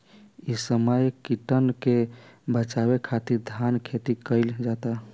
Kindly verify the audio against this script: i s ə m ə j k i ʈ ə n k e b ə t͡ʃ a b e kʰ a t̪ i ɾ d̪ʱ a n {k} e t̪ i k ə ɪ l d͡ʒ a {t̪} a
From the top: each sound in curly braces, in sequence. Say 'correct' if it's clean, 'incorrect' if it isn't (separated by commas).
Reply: incorrect, correct